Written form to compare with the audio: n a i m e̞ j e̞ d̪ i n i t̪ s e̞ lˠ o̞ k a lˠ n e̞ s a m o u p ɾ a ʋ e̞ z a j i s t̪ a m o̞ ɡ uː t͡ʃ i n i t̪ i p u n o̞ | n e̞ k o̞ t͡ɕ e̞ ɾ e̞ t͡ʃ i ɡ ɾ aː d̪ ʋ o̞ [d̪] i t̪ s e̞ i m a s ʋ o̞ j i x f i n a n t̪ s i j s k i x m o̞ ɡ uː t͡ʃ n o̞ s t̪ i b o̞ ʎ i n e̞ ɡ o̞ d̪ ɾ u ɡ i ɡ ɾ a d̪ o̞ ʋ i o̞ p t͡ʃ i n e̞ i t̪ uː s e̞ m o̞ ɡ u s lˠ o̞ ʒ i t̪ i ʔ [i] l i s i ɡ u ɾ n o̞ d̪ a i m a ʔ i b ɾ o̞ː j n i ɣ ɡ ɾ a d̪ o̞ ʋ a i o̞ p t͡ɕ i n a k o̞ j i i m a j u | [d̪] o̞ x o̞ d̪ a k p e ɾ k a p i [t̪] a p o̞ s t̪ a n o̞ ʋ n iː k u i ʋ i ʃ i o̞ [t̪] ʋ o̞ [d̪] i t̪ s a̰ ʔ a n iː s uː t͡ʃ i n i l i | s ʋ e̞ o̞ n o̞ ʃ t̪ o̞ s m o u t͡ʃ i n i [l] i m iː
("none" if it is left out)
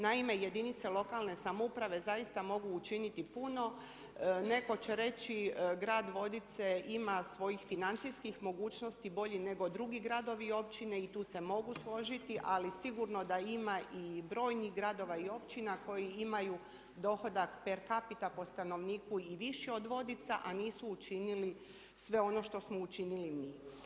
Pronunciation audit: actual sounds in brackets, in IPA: d̪, a, d̪, t̪, d̪, d̪, l

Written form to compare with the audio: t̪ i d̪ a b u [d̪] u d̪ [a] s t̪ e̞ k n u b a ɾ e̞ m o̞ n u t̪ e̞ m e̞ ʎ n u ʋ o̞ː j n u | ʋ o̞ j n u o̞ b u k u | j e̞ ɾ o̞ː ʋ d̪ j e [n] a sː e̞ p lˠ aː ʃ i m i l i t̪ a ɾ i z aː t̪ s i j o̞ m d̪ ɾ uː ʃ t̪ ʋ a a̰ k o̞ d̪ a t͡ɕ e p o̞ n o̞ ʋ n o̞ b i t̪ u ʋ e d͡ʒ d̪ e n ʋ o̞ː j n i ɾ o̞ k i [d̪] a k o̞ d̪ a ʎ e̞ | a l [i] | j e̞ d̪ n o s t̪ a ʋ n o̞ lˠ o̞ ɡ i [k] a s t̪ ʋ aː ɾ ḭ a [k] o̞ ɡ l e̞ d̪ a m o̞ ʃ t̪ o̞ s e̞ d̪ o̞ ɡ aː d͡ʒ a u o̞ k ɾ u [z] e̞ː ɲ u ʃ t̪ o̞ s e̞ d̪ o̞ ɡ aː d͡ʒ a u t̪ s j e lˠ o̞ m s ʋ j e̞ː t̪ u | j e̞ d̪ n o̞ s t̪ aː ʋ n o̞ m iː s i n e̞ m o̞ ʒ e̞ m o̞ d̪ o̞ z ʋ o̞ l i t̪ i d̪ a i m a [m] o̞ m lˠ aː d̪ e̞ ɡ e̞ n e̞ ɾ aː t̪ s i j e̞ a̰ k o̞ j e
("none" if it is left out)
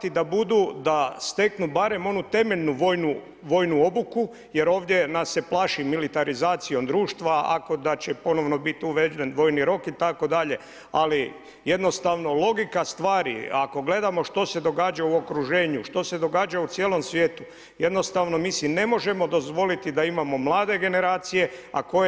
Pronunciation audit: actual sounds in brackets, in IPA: d̪, a, n, t̪, i, k, k, ʒ, m

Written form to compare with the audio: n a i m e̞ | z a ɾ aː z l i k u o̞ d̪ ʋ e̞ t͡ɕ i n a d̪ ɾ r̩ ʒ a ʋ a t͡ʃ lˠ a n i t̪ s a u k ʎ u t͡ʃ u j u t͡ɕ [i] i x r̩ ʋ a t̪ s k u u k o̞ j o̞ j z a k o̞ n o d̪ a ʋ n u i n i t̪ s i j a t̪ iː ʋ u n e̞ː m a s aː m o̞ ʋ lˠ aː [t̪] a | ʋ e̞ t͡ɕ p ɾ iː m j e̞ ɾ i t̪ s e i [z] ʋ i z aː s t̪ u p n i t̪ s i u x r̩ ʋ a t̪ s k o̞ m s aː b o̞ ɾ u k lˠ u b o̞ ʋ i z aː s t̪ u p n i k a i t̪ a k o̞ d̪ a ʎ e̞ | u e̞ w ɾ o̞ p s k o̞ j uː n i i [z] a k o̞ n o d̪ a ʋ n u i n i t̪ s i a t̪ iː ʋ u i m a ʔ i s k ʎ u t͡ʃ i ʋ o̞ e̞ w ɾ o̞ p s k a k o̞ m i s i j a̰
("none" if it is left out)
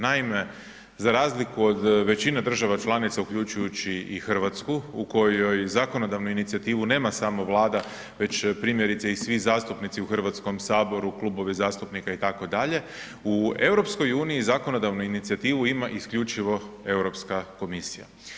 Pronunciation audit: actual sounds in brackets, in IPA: i, d̪, s, z

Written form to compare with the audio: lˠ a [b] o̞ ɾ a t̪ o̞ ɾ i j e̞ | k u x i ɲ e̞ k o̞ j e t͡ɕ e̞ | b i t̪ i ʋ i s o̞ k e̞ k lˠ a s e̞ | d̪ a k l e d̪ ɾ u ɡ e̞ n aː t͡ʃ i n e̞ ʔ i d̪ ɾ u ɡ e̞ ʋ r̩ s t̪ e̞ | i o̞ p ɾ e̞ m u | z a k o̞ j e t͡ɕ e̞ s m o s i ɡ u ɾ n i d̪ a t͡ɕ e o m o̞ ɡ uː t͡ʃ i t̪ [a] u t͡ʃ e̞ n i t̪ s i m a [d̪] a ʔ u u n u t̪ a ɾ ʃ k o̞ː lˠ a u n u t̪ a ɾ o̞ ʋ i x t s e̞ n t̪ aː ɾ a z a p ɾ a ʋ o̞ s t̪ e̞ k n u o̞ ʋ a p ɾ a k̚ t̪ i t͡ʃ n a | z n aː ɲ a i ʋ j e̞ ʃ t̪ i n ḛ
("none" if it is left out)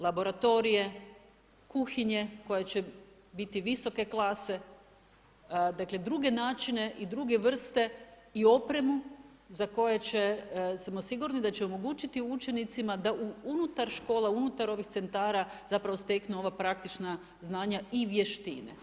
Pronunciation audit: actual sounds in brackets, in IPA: b, i, d̪

